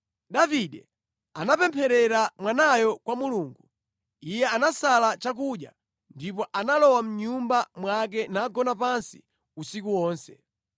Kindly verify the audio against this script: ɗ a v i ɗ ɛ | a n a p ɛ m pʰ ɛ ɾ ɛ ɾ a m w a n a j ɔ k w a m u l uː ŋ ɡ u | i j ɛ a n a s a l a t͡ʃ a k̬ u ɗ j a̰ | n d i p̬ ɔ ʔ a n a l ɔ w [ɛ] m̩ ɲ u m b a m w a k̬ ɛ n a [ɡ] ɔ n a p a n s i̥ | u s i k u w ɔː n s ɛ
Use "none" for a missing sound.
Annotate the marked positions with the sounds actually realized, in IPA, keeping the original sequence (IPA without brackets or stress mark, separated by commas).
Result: a, ɡ